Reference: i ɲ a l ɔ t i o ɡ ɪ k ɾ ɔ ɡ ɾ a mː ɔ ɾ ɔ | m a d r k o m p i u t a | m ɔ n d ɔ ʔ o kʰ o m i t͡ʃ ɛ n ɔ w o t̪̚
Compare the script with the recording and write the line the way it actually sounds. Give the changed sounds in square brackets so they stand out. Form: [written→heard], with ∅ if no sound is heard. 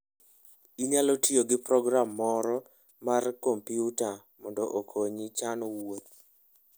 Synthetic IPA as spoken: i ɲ a l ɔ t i o ɡ ɪ [k→p] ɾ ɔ ɡ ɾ a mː ɔ ɾ ɔ | m a [d→∅] r k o m p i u t a | m ɔ n d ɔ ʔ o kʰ o [m→ɲ] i t͡ʃ [ɛ→a] n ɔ w o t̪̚